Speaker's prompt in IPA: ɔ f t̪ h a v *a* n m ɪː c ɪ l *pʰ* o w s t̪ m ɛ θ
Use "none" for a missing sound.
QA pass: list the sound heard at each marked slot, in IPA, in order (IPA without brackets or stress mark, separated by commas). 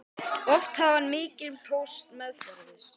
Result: a, pʰ